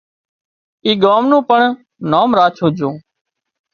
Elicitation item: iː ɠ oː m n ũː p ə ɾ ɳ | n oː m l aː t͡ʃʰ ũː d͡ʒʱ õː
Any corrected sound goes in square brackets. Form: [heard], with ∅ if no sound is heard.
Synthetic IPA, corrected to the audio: iː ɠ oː m n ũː p ə [∅] ɳ | n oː m [ɾ] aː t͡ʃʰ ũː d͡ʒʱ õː